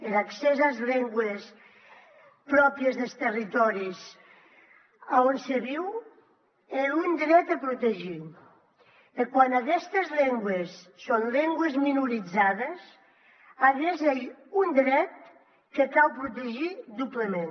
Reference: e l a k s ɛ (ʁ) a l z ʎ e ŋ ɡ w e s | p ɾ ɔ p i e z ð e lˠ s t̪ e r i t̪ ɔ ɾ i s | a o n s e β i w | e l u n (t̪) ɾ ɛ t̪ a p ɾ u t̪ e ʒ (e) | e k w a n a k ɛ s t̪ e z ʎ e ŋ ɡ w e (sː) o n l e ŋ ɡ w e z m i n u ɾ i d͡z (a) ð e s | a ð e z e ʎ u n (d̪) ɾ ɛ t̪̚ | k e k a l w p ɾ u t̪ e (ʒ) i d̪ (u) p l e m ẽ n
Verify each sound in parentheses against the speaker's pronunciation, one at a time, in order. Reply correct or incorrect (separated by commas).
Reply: incorrect, incorrect, incorrect, correct, correct, correct, correct, correct